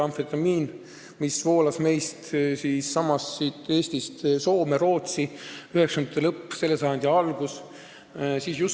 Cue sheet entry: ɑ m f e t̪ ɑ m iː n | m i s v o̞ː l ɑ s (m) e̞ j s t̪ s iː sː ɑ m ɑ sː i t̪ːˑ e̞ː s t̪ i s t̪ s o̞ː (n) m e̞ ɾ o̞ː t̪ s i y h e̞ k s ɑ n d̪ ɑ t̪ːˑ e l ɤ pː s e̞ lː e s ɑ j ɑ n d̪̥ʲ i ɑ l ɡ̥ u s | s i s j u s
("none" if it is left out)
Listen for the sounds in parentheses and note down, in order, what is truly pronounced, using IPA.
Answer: m, none

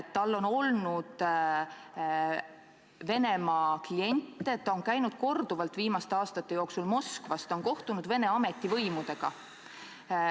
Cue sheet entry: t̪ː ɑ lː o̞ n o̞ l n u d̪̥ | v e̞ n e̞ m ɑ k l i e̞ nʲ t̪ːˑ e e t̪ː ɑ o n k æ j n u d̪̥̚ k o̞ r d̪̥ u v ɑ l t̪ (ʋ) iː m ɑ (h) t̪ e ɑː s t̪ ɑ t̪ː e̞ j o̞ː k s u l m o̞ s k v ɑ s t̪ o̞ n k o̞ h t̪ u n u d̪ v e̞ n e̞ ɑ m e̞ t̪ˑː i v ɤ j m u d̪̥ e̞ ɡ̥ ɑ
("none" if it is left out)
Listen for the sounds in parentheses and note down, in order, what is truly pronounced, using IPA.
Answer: v, s

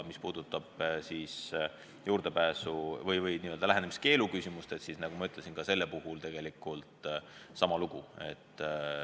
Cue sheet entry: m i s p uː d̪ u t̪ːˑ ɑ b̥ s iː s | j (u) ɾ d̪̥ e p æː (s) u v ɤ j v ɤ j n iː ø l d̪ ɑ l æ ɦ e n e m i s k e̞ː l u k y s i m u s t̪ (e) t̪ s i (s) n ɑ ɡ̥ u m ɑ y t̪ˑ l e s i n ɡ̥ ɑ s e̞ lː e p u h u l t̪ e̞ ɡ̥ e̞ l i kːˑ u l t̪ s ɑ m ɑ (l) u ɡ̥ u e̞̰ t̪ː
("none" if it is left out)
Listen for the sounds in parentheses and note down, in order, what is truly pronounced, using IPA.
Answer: uː, s, e, s, l

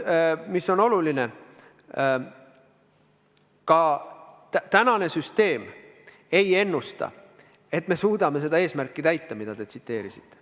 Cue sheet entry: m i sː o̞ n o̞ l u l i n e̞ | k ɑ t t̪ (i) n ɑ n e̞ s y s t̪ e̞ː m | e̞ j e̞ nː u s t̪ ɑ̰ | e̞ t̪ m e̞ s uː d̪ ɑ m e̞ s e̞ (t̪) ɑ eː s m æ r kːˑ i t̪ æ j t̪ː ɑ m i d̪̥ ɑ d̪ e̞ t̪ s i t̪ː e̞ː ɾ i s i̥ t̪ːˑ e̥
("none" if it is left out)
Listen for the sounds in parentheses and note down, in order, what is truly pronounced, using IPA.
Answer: æ, d̪

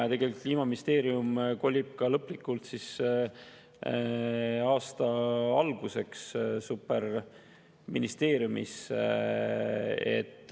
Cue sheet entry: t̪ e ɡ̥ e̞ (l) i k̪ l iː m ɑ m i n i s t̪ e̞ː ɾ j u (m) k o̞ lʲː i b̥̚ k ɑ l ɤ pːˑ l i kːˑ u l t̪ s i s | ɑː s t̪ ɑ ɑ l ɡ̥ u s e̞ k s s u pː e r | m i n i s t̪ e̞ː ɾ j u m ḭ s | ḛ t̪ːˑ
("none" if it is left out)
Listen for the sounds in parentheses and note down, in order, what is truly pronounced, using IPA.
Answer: l, m

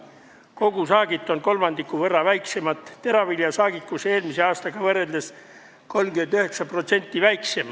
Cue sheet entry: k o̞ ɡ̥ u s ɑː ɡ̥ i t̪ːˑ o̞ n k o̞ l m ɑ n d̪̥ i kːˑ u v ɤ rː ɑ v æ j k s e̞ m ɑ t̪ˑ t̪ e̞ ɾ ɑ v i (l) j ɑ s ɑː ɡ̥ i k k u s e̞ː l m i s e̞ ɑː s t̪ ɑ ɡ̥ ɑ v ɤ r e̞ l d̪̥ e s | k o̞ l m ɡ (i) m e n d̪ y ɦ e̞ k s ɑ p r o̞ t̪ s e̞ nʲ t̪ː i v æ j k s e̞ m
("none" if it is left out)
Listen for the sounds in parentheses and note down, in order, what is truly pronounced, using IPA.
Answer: l, y

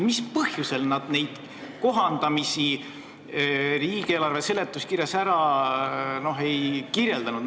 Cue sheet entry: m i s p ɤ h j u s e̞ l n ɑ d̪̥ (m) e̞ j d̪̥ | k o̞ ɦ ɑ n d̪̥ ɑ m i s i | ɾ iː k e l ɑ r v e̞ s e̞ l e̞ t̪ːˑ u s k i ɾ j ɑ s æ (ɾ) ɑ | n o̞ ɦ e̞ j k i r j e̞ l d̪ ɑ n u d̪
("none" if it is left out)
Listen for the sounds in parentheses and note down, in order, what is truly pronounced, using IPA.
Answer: n, ɾ

